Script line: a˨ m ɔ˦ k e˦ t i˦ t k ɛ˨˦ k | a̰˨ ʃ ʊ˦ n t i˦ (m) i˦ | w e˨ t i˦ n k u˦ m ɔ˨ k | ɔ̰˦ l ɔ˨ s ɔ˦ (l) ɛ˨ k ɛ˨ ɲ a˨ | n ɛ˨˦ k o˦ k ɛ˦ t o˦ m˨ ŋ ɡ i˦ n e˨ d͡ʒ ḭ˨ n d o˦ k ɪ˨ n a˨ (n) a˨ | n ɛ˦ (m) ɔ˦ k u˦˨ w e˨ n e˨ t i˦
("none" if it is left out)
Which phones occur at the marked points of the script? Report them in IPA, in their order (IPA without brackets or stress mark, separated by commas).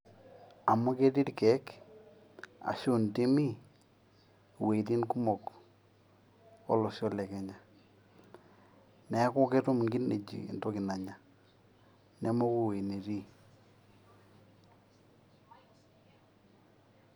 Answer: m, l, ɲ, m